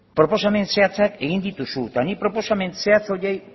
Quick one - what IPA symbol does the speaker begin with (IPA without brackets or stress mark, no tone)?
p